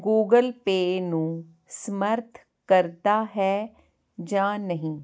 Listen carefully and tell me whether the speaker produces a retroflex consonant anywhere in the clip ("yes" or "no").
no